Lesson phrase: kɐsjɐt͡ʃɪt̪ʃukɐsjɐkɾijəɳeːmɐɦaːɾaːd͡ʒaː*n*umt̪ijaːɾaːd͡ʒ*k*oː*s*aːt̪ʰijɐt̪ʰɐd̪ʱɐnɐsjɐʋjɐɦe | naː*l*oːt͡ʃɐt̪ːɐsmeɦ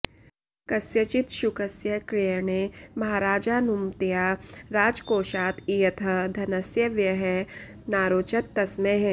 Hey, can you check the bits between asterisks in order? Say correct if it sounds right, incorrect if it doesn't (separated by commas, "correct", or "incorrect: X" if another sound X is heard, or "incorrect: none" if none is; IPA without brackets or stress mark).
correct, correct, incorrect: ʃ, incorrect: ɾ